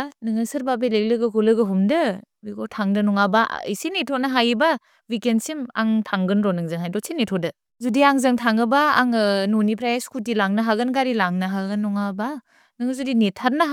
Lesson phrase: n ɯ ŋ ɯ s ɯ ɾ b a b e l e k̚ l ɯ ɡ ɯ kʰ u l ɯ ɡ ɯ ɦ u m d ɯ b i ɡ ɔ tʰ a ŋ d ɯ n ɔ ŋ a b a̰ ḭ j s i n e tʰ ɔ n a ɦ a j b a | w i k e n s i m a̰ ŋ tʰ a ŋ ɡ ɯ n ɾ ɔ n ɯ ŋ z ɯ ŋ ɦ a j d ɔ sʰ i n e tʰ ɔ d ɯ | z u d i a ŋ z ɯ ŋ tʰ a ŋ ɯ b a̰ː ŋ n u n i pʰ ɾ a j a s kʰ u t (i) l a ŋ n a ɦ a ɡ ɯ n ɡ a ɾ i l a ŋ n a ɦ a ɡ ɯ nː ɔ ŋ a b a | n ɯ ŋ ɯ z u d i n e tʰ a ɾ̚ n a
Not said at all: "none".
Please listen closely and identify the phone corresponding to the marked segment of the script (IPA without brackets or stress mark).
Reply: i